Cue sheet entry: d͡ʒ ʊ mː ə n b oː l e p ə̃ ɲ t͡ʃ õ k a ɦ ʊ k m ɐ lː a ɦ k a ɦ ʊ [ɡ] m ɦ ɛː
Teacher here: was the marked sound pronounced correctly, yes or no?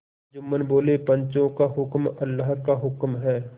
no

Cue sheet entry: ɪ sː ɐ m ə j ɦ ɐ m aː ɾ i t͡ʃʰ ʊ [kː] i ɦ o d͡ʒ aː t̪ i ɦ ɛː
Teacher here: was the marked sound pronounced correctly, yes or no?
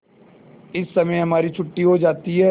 no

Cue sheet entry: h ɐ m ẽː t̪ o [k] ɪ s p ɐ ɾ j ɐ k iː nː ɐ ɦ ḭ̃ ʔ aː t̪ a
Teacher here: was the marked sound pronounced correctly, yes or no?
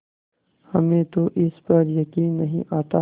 no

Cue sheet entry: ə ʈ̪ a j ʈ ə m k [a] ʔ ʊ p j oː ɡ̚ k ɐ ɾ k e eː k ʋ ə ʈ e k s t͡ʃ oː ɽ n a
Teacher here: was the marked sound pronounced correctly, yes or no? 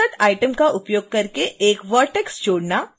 yes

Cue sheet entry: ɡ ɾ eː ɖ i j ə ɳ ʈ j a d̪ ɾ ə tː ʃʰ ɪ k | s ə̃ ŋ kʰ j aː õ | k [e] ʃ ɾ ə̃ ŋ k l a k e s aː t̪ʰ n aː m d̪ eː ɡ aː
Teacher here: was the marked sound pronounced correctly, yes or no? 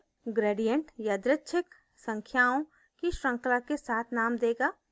no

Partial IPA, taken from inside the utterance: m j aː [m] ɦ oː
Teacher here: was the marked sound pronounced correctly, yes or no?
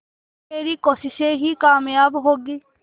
no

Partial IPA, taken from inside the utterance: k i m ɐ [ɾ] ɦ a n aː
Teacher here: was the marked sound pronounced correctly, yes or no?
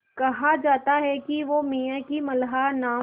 no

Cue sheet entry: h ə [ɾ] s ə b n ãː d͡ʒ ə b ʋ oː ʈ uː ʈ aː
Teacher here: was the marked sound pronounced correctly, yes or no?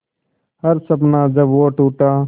yes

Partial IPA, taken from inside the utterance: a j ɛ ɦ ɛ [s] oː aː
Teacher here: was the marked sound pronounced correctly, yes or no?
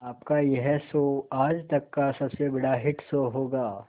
yes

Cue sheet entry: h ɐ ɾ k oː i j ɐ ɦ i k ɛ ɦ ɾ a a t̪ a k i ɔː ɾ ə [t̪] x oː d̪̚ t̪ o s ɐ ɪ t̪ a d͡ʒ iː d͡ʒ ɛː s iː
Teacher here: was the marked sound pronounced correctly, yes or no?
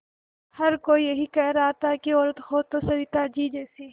yes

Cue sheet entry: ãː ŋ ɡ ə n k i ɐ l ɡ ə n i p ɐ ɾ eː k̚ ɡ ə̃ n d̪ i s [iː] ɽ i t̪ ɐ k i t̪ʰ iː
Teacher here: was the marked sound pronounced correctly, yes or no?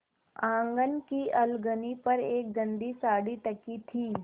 no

